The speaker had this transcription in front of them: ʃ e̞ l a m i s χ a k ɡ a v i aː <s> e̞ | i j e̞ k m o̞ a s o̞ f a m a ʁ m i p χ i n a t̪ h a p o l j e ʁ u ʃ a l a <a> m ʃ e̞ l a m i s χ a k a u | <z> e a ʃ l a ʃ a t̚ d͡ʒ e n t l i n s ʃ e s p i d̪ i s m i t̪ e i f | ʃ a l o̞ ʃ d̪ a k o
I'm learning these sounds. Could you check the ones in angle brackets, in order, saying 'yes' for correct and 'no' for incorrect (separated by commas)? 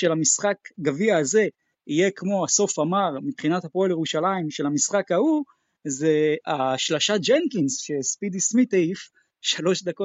no, no, yes